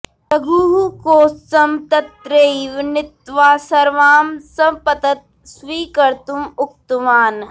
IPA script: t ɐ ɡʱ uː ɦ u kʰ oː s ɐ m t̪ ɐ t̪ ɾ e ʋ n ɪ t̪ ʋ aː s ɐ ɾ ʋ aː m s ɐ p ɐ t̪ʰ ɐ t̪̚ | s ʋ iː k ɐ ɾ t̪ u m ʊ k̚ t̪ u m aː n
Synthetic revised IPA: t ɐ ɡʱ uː ɦ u k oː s ɐ m t̪ ɐ t̪ ɾ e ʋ n ɪ t̪ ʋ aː s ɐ ɾ ʋ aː m s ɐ p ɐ t̪ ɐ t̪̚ | s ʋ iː k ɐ ɾ t̪ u m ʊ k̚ t̪ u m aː n